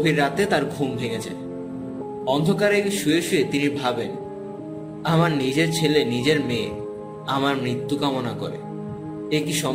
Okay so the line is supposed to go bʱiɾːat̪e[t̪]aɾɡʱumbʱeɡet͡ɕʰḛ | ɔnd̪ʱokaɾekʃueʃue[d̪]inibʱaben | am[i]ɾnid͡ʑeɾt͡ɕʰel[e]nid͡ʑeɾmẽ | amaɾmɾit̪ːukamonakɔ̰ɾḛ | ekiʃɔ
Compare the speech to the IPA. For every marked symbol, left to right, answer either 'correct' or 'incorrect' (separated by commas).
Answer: correct, incorrect, incorrect, correct